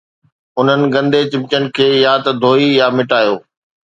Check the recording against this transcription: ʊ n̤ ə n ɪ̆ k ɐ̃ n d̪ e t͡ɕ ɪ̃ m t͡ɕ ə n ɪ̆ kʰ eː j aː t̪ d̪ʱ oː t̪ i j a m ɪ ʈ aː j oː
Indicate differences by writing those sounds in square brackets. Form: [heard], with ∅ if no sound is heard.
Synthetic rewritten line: ʊ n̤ ə n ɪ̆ [ɡ] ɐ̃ n d̪ e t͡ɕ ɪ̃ m t͡ɕ ə n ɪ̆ kʰ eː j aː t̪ d̪ʱ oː [∅] i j a m ɪ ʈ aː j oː